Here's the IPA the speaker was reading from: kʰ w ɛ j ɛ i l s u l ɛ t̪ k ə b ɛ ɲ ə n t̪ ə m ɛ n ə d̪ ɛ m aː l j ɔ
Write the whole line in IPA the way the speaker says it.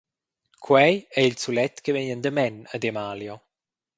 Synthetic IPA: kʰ w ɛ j ɛ i l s u l ɛ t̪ k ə v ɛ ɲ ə n d̪ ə m ɛ n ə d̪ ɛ m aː l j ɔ